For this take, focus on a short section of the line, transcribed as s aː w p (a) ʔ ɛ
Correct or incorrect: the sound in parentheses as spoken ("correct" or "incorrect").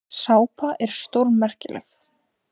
correct